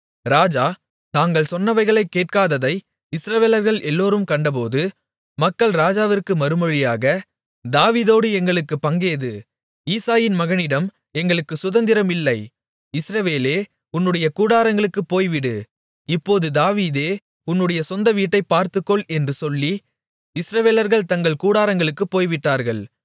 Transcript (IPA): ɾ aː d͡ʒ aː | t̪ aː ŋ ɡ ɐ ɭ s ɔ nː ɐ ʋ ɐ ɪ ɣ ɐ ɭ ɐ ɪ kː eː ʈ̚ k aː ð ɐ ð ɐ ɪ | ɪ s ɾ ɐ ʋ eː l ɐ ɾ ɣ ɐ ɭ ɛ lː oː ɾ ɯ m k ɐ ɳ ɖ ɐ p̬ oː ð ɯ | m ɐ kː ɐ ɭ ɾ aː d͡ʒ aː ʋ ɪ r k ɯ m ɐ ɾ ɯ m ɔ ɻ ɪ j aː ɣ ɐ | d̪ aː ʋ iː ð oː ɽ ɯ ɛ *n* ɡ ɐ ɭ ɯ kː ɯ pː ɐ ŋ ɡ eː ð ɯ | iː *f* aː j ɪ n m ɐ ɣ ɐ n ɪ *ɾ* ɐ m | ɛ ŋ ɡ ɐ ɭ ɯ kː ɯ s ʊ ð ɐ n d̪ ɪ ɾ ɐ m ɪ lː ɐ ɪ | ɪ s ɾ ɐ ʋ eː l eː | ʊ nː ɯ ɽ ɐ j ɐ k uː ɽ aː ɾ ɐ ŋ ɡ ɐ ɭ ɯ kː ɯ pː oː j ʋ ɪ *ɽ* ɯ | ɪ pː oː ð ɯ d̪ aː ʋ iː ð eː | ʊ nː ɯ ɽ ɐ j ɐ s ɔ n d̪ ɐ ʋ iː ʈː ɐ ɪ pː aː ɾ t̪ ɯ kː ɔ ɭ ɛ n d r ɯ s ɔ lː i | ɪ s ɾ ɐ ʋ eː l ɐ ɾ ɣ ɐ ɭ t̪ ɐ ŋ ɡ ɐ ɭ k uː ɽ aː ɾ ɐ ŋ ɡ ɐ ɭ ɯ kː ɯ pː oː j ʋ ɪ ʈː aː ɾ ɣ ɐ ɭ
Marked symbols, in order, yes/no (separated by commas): no, no, no, yes